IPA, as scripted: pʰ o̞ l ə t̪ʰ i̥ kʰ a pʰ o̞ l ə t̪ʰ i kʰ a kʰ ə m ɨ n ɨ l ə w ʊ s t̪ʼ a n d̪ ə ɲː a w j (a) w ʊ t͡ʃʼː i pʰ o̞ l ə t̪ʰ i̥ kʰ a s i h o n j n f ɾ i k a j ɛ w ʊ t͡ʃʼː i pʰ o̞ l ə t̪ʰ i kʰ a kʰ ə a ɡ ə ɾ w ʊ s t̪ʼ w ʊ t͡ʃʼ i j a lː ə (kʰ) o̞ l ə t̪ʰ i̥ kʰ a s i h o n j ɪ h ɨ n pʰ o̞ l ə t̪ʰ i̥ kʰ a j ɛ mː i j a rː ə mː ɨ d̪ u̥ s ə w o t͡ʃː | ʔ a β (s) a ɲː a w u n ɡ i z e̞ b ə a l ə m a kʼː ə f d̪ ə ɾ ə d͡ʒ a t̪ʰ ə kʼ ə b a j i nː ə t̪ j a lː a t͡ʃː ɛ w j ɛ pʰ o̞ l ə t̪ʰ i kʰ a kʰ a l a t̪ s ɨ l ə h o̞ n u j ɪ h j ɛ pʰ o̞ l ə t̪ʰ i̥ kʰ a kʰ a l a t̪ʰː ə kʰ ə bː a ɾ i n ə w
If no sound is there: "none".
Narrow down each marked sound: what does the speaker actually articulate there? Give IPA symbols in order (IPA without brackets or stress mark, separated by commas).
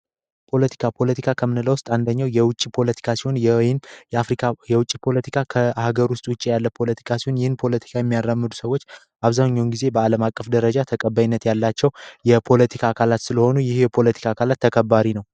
ɛ, pʰ, z